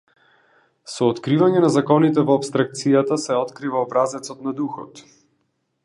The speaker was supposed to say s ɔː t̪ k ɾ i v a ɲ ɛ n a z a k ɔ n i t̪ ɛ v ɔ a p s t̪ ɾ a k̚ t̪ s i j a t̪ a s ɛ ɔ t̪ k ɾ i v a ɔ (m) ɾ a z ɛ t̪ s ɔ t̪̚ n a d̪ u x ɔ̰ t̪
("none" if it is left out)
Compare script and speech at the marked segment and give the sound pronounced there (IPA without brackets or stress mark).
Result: b